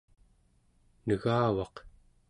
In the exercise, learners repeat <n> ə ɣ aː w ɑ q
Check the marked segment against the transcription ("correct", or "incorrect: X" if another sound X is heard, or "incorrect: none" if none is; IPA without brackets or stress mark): correct